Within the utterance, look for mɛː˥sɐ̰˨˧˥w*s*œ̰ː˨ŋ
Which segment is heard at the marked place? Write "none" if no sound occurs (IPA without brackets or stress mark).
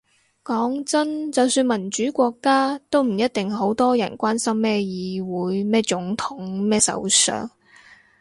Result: s